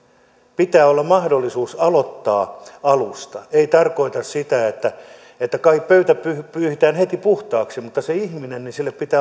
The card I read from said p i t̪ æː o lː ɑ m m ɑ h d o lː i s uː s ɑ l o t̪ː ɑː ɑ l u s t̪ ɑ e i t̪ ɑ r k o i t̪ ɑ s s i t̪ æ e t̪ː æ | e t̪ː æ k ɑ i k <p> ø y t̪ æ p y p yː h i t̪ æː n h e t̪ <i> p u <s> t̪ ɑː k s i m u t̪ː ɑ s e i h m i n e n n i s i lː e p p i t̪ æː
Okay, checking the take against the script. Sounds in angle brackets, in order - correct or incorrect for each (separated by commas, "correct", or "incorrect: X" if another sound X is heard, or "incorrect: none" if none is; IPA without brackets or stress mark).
correct, correct, incorrect: h